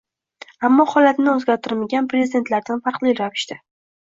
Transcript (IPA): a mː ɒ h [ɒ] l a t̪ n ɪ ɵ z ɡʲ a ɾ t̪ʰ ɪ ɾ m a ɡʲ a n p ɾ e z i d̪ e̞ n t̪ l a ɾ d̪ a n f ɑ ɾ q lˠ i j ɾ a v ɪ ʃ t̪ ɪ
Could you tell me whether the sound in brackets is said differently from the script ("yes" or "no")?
no